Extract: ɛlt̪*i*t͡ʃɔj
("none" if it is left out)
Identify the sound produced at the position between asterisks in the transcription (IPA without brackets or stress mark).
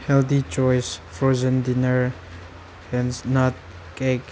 i